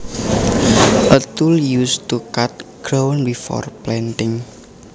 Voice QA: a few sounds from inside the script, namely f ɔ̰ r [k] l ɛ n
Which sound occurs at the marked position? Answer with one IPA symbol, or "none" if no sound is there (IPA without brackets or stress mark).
p